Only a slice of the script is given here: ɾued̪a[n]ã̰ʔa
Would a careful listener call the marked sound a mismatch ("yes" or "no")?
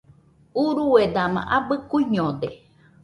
yes